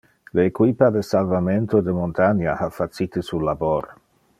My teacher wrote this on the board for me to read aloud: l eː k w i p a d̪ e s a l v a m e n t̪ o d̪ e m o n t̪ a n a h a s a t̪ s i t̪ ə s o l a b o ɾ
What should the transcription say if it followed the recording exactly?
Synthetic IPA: l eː k w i p a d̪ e s a l v a m e n t̪ o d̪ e m o n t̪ a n a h a f a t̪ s i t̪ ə s u l a b o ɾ

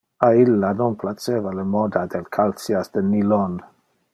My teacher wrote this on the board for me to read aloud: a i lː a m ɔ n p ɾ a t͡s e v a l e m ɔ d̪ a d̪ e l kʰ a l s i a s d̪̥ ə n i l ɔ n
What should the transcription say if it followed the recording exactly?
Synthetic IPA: a i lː a n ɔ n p l a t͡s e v a l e m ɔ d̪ a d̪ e l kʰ a l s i a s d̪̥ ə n i l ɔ n

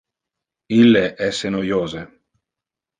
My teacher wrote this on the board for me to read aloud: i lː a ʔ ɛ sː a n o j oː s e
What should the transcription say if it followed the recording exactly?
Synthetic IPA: i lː e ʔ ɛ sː e n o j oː z e

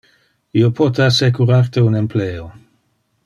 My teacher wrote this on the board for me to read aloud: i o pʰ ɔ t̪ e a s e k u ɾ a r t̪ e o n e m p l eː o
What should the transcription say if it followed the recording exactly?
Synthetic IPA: i o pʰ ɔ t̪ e a s e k u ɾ a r t̪ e u n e m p l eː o

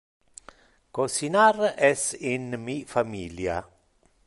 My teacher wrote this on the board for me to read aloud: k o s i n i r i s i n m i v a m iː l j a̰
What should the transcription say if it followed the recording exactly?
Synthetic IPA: k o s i n a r ɛ s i n m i f a m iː l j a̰

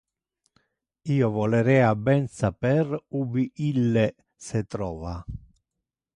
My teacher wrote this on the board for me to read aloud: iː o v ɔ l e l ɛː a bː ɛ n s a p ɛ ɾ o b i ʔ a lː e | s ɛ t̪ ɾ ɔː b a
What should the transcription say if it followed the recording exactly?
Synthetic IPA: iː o v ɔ l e ɾ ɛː a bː ɛ n s a p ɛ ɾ u b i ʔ i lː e | s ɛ t̪ ɾ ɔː v a

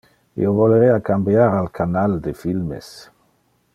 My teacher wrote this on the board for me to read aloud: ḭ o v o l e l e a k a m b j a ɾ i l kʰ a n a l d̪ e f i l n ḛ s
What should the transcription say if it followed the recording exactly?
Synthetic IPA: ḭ o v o l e ɾ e a k a m b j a ɾ a l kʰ a n a l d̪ e f i l m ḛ s

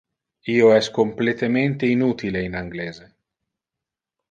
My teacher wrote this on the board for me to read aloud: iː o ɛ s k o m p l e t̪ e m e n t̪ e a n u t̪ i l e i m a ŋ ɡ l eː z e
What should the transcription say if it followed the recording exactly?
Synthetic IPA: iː o ɛ s k o m p l e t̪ e m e n t̪ e i n u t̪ i l e i n a ŋ ɡ l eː z e

